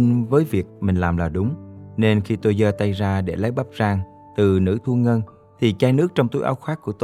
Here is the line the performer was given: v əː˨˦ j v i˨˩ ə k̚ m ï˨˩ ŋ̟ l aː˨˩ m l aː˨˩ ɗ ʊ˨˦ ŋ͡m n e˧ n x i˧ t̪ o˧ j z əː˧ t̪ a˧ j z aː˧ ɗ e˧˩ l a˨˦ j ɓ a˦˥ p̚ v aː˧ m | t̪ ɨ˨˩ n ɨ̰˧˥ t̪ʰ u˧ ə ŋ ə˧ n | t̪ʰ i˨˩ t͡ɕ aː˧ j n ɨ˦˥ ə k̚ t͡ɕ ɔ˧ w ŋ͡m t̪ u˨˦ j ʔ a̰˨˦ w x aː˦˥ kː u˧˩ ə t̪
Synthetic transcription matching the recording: v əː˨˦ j v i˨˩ ə k̚ m ï˨˩ ŋ̟ l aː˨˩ m l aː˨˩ ɗ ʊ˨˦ ŋ͡m n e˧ n x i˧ t̪ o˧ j z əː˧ t̪ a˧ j z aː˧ ɗ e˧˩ l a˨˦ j ɓ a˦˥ p̚ z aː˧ ŋ | t̪ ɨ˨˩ n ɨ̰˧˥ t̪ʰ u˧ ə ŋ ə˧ n | t̪ʰ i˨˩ t͡ɕ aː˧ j n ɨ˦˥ ə k̚ t͡ɕ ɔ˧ w ŋ͡m t̪ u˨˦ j ʔ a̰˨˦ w x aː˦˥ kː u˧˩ ə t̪